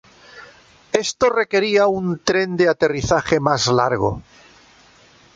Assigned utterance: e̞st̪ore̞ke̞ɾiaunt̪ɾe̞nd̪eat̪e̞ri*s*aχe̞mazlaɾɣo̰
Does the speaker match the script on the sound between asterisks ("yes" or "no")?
no